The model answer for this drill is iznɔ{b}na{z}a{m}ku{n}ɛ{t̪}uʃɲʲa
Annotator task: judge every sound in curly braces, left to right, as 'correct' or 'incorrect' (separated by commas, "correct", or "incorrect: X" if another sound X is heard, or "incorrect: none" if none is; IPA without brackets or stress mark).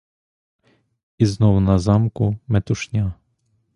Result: incorrect: w, correct, correct, incorrect: m, correct